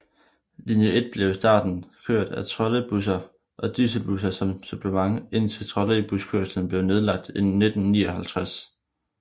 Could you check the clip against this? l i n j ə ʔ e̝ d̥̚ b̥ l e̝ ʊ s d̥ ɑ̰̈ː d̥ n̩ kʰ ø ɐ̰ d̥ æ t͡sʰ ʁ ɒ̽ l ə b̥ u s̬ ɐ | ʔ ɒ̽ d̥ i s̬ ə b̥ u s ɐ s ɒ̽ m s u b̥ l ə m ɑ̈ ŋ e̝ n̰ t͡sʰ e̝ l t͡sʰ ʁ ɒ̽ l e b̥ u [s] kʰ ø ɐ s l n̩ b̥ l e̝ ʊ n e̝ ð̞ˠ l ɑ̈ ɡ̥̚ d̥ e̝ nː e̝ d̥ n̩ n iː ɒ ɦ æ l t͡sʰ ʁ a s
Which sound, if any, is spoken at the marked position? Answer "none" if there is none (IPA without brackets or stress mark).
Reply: s